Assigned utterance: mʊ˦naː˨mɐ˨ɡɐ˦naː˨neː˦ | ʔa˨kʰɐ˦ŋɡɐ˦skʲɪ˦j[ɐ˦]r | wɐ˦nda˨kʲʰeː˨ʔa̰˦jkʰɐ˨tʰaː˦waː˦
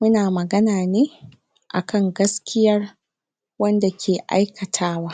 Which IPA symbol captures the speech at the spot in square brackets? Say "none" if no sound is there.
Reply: ɐ˦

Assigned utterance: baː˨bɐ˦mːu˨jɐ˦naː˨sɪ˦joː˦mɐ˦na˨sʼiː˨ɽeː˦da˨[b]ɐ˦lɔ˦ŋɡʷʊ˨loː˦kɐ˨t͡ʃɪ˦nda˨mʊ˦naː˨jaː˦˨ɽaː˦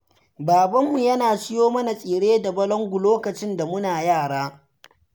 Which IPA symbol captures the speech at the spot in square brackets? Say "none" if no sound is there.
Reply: b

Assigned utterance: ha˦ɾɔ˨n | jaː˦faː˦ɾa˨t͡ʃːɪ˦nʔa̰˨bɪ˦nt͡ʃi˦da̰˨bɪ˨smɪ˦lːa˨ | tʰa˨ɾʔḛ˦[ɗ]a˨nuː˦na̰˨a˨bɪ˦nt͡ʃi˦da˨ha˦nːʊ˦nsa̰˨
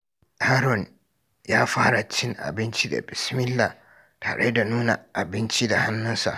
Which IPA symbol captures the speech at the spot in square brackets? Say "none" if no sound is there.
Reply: d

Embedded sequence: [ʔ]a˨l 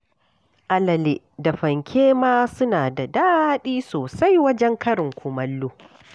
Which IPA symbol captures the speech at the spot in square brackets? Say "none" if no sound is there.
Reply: ʔ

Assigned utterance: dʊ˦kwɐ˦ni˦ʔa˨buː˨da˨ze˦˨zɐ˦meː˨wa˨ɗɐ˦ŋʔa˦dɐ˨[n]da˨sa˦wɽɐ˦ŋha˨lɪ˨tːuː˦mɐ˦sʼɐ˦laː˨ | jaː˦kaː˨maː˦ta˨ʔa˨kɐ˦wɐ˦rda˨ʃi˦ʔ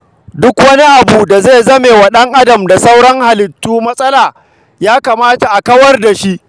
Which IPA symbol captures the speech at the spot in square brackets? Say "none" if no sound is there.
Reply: m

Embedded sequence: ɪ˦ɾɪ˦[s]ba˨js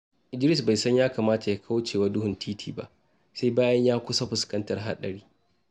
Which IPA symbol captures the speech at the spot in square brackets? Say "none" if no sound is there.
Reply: s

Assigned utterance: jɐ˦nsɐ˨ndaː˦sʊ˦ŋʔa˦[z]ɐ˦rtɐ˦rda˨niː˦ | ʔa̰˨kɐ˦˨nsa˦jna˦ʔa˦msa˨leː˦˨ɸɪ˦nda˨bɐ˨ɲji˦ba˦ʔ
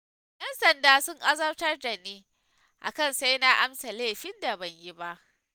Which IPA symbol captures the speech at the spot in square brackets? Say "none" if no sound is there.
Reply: z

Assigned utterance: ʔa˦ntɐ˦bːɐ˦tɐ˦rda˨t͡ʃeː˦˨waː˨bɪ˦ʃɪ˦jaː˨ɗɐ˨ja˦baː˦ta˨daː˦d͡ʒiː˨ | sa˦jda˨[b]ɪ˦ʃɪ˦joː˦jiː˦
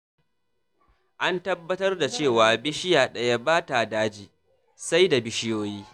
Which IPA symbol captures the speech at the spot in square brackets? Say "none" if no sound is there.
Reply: b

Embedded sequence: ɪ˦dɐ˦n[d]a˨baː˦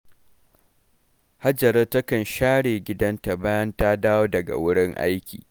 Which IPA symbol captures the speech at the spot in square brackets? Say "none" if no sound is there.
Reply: t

